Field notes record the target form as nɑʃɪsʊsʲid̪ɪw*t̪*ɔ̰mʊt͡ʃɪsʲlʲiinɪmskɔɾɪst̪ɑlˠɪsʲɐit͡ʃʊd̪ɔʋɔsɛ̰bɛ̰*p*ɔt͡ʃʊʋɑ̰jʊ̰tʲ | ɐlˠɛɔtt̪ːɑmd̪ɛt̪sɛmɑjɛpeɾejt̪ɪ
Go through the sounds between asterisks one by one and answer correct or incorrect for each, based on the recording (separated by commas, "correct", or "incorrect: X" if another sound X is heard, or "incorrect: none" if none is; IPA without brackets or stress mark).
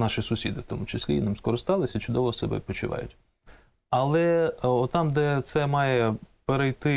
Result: correct, correct